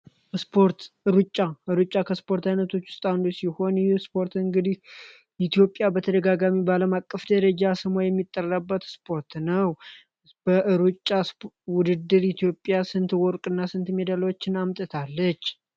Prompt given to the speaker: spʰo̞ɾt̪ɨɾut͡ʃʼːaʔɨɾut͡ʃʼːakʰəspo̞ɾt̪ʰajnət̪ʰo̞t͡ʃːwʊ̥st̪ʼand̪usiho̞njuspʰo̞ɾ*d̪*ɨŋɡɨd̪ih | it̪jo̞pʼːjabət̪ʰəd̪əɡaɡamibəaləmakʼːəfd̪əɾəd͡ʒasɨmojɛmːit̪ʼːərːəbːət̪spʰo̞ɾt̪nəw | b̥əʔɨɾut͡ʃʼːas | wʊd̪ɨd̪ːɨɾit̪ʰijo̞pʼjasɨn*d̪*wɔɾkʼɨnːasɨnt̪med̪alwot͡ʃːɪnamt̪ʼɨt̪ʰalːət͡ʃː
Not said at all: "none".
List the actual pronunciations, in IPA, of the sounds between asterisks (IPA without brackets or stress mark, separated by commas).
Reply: t̪, t̪